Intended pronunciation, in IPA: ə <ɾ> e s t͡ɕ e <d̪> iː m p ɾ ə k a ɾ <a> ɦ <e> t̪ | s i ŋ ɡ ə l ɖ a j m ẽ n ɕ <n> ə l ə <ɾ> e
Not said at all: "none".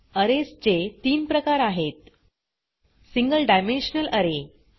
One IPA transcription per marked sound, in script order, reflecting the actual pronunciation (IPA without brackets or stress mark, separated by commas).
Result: ɾ, t̪, a, e, n, ɾ